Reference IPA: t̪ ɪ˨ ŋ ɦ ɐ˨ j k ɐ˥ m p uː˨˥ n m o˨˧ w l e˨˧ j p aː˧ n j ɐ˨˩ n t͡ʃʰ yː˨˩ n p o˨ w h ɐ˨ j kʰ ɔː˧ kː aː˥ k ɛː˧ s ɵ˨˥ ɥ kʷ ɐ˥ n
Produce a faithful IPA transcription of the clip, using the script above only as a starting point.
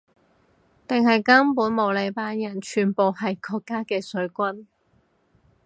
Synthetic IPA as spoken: t̪ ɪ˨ ŋ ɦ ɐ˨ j k ɐ˥ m p uː˨˥ n m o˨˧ w l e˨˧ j p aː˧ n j ɐ˨˩ n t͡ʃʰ yː˨˩ n p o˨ w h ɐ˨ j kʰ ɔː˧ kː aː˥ k ɛː˧ s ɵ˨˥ ɥ kʷ ɐ˥ n